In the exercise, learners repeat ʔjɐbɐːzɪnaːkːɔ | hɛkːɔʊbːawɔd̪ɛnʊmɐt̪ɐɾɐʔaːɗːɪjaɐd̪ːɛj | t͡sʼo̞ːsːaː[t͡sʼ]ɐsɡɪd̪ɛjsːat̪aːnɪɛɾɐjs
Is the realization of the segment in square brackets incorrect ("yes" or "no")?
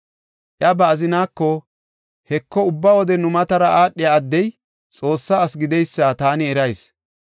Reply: yes